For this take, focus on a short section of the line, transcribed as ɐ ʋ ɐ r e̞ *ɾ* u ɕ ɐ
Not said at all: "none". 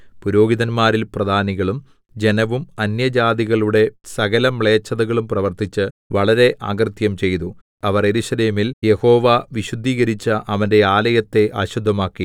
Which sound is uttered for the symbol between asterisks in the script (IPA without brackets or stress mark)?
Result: ɾ